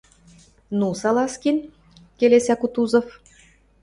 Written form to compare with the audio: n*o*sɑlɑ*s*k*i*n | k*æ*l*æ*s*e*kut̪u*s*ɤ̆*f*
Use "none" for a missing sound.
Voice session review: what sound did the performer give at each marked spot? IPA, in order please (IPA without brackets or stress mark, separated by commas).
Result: u, s, i, e, e, æ, z, f